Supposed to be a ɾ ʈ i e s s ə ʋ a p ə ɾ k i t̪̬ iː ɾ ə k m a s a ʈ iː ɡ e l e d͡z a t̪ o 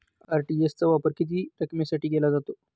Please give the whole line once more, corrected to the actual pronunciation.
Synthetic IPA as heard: a ɾ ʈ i e s t͡s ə ʋ a p ə ɾ k i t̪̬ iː ɾ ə k m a s a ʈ iː ɡ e l a d͡z a t̪ o